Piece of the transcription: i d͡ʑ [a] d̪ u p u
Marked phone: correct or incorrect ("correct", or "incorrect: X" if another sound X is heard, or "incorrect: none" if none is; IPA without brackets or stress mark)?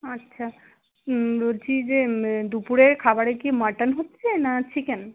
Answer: incorrect: e